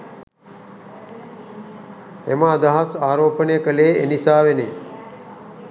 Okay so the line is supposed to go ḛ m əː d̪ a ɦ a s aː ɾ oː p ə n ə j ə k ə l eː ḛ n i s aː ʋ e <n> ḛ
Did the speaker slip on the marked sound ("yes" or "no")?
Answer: no